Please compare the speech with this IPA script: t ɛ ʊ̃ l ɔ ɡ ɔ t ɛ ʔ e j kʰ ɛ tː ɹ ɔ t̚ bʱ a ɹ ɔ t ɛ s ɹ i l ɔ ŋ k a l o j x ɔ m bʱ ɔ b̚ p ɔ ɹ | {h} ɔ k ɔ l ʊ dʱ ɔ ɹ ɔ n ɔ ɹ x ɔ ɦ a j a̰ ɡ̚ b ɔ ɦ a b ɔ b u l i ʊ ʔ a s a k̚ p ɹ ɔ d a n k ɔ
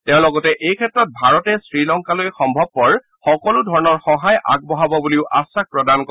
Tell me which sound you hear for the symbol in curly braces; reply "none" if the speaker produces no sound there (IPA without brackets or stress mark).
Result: x